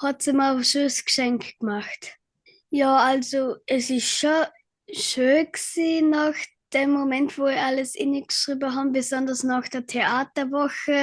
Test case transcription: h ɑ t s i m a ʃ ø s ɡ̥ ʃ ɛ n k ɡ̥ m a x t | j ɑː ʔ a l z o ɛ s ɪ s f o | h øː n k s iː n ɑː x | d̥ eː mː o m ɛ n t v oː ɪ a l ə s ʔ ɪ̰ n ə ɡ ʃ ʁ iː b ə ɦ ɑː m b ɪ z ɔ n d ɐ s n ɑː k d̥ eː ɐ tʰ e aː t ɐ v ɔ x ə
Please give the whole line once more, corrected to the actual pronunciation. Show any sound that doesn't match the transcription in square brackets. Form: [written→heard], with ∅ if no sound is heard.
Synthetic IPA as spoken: h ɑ t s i m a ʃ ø s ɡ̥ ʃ ɛ [n→ŋ] k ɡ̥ m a x t | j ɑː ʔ a l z o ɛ s ɪ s [f→ʃ] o | [h→ʃ] øː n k s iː n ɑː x | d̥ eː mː o m ɛ n t v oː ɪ a l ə s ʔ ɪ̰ n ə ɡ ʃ ʁ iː b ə ɦ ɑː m b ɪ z ɔ n d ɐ s n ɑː [k→x] d̥ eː ɐ tʰ e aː t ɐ v ɔ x ə

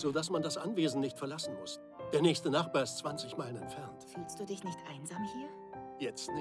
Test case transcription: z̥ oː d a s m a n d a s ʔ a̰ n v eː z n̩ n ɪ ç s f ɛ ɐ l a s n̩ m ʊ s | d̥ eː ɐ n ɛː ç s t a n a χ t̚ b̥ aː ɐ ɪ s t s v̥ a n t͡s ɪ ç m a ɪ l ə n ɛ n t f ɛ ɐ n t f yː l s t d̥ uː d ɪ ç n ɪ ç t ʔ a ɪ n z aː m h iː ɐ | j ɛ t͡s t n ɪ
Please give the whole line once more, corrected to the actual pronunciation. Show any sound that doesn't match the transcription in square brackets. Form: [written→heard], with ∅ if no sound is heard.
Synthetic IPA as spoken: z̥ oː d a s m a n d a s ʔ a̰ n v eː z n̩ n ɪ ç [s→t] f ɛ ɐ l a s n̩ m ʊ s | d̥ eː ɐ n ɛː ç s t [a→ə] n a χ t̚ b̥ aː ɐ ɪ s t [s→t͡s] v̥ a n t͡s ɪ ç m a ɪ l ə n ɛ n t f ɛ ɐ n t f yː l s t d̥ uː d ɪ ç n ɪ ç t ʔ a ɪ n z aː m h iː ɐ | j ɛ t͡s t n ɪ

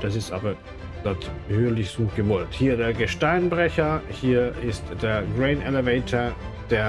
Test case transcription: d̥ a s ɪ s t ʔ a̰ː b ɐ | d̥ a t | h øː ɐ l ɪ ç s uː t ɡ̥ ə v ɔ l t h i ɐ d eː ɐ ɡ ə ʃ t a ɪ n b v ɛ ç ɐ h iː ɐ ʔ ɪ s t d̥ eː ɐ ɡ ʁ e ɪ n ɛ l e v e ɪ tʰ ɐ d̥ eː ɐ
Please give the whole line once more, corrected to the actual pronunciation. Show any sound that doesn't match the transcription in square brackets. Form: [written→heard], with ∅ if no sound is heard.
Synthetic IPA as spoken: d̥ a s ɪ s t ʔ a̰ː b ɐ | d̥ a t | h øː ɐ l ɪ ç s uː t ɡ̥ ə v ɔ l t h [i→iː] ɐ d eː ɐ ɡ ə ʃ t a ɪ n b [v→ʁ] ɛ ç ɐ h iː ɐ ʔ ɪ s t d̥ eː ɐ ɡ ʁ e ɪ n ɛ l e v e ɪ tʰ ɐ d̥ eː ɐ

